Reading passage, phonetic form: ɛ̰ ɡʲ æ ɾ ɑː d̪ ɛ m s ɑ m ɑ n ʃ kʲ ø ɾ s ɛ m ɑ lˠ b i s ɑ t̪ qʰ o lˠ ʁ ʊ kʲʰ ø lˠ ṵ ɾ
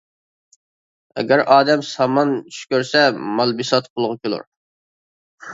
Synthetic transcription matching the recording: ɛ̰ ɡʲ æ ɾ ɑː d̪ ɛ m s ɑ m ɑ n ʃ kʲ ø ɾ s ɛ m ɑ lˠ b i s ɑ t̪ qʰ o lˠ ʁ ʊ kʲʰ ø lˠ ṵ ɾ